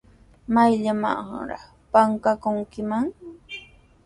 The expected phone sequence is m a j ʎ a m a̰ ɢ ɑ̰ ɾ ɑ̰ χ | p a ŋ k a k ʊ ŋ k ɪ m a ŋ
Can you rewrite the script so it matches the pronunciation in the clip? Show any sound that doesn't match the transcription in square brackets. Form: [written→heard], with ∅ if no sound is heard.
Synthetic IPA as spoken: m a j ʎ a m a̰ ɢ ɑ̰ ɾ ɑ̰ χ | p a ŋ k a k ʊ ŋ k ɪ m a ŋ